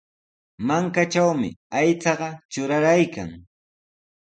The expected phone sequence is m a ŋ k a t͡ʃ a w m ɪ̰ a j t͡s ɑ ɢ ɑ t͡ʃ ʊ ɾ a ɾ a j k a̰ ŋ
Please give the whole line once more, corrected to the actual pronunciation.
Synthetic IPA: m a ŋ k a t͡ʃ a w m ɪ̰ a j t͡s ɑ ɢ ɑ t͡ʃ ʊ ɾ a ɾ a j k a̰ ŋ